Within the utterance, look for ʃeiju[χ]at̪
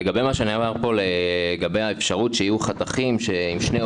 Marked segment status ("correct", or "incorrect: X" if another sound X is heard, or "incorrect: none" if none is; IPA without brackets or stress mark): correct